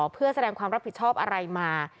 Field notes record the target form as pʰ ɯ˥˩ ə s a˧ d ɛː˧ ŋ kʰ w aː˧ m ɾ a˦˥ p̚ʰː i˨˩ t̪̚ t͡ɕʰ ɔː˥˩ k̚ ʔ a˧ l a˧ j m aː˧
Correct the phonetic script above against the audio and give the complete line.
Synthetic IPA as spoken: pʰ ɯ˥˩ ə s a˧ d ɛː˧ ŋ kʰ w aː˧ m ɾ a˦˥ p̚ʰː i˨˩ t̪̚ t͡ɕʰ ɔː˥˩ p̚ ʔ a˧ ɾ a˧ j m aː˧